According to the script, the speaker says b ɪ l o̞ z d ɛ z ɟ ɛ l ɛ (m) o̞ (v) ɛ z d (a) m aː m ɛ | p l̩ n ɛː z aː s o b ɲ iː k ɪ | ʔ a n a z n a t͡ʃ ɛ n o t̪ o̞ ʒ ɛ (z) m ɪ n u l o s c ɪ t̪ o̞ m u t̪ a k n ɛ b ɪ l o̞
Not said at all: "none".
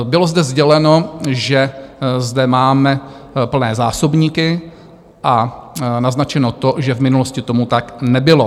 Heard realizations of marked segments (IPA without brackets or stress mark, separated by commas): n, ʒ, ɛ, v